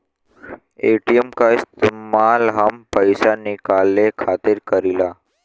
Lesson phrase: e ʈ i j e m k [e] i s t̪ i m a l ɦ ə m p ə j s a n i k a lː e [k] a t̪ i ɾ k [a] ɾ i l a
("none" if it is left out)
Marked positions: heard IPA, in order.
a, kʰ, ə

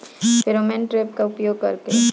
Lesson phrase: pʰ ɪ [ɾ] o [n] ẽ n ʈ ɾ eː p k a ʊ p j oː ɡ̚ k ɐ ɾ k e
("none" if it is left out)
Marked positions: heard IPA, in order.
ɾ, m

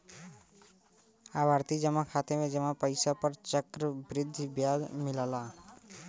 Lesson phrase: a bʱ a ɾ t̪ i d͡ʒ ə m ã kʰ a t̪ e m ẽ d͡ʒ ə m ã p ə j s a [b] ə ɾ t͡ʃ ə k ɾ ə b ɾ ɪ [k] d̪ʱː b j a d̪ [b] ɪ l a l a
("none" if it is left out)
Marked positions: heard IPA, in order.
p, none, m

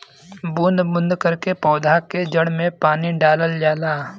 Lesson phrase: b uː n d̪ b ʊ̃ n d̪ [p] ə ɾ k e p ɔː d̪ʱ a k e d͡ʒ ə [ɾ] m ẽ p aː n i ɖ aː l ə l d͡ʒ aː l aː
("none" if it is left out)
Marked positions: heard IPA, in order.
k, ɽ

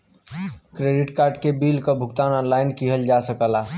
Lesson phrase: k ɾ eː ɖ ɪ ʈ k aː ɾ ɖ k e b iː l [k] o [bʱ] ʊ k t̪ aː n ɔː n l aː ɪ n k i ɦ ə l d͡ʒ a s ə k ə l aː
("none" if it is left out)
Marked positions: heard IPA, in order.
k, bʱ

